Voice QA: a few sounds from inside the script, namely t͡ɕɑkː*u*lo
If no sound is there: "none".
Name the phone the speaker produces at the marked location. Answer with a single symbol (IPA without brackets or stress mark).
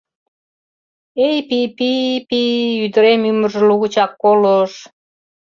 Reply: o